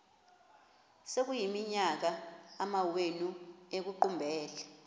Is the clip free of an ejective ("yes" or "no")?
yes